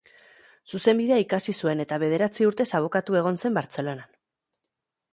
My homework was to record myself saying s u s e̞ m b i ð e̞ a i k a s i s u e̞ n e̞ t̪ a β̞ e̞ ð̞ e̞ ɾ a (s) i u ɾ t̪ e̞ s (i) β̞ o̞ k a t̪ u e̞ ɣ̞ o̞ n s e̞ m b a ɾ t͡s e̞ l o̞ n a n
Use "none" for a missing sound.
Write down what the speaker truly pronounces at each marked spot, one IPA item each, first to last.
t͡s, a

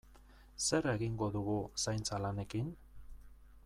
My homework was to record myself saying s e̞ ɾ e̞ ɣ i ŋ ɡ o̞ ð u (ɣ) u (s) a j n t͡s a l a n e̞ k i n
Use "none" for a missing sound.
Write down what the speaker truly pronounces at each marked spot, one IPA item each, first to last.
ɣ, s

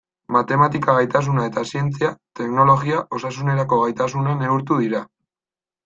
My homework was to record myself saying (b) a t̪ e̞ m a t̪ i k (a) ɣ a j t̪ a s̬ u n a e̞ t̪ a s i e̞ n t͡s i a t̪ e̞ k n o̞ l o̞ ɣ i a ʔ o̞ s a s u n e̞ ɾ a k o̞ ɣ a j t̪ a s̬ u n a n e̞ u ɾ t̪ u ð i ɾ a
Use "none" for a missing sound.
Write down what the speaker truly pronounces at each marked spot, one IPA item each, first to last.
m, a

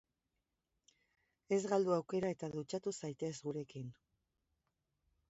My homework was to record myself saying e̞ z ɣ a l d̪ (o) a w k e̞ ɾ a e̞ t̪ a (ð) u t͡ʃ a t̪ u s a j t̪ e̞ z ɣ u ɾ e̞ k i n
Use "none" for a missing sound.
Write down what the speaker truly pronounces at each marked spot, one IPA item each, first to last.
u, ð

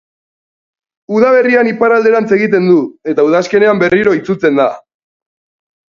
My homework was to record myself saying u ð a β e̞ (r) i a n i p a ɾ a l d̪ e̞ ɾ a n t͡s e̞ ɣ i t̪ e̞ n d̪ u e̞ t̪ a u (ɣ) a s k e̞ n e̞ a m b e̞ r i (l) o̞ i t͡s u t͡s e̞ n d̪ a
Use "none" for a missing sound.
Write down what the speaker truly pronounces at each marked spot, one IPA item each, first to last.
r, ð, ɾ

